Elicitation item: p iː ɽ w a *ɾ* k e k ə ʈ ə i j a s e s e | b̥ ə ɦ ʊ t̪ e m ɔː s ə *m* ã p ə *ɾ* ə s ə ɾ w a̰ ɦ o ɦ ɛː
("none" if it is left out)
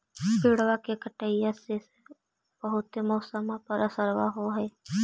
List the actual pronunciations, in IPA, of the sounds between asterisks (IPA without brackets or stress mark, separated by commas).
none, m, ɾ